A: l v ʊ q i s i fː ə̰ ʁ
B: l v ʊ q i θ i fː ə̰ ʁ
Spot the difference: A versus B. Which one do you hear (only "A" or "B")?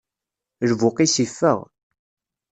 A